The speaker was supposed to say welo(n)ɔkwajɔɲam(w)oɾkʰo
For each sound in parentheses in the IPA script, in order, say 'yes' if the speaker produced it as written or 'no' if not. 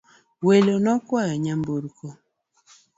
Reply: yes, no

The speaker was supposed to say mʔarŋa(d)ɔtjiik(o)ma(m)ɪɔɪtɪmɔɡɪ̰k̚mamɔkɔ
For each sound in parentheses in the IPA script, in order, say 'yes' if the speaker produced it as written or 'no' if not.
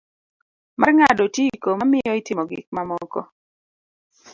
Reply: yes, yes, yes

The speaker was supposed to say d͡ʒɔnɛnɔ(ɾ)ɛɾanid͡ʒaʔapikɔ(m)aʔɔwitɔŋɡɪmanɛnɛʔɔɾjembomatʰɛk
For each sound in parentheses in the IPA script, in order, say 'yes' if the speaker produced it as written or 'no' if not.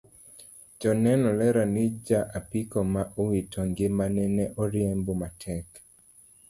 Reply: no, yes

